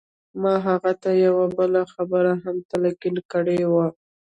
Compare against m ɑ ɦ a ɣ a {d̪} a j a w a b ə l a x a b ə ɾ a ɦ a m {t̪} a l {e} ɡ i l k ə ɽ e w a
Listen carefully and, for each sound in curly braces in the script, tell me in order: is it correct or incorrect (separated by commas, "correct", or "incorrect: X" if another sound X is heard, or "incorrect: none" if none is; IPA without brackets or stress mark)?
incorrect: t̪, correct, incorrect: a